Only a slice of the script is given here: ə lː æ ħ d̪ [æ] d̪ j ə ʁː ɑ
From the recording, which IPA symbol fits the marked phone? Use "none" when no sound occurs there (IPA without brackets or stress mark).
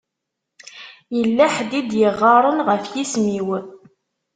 i